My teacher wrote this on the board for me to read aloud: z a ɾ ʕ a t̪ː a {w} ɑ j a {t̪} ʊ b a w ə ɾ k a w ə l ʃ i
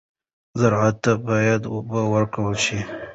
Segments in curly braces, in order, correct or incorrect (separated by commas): incorrect, incorrect